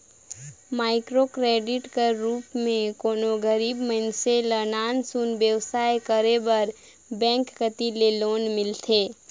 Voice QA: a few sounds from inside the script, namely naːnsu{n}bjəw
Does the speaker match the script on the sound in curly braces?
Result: yes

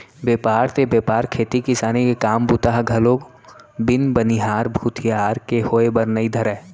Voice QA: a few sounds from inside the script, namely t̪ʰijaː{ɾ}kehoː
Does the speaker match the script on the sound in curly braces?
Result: yes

